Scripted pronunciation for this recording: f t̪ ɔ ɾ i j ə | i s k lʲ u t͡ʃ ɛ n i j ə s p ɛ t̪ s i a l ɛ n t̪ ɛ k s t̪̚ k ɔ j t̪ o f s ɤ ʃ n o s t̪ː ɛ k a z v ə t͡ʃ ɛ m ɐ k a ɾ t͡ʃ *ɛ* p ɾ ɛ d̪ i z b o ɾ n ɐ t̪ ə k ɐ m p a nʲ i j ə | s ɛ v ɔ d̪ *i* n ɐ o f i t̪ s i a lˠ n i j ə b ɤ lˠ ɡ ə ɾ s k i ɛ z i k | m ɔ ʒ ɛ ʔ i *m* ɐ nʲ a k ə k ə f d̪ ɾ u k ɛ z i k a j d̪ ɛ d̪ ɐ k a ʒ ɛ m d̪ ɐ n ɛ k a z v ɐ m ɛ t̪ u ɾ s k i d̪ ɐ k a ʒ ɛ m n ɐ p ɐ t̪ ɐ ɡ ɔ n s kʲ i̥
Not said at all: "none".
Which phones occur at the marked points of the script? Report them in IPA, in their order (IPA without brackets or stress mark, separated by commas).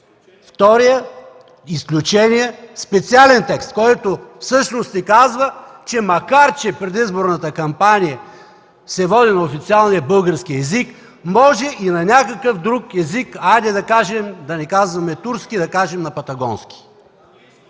ɛ, i, n